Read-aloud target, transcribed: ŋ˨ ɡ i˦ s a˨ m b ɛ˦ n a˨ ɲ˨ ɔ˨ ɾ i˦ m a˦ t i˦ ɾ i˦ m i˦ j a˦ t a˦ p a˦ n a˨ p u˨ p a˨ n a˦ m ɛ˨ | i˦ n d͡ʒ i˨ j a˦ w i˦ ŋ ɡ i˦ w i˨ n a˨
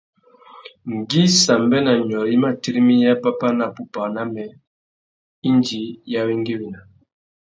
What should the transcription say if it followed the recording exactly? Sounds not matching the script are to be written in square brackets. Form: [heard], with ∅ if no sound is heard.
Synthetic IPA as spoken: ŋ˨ ɡ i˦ s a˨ m b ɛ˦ n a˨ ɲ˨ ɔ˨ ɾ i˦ m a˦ t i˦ ɾ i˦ m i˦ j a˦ [p] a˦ p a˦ n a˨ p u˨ p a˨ n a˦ m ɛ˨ | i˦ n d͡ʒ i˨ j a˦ w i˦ ŋ ɡ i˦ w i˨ n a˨